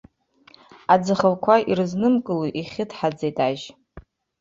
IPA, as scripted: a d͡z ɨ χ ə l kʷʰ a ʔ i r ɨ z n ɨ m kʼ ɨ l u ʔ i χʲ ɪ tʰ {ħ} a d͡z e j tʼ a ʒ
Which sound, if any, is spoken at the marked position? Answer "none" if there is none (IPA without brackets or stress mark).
ħ